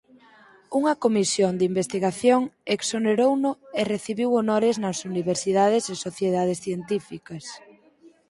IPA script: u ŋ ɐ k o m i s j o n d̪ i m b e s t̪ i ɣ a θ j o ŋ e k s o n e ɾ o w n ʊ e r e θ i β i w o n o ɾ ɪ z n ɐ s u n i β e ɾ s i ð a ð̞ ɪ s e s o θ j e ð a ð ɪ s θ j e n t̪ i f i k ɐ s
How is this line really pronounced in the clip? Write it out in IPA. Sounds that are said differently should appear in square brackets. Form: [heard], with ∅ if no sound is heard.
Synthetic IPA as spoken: u ŋ ɐ k o m i s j o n d̪ i m b e s t̪ i ɣ a θ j o ŋ e k s o n e ɾ o w n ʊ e r e θ i β i w o n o ɾ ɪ z n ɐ s u n i β e ɾ s i ð a ð̞ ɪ s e s o θ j e ð a ð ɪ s θ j e n t̪ i f i k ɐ s